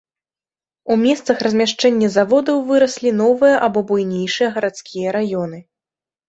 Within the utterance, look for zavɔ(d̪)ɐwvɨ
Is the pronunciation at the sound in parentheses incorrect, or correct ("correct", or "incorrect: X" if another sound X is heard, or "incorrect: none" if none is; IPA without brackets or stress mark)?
correct